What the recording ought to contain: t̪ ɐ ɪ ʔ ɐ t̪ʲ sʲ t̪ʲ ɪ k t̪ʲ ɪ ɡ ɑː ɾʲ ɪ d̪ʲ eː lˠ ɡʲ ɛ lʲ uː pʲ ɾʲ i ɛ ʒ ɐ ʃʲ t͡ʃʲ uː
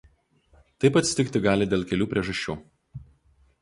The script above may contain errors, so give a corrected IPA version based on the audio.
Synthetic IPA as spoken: t̪ ɐ ɪ p ɐ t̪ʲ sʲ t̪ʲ ɪ k t̪ʲ ɪ ɡ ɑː lʲ ɪ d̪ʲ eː lˠ kʲ ɛ lʲ uː pʲ ɾʲ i ɛ ʒ ɐ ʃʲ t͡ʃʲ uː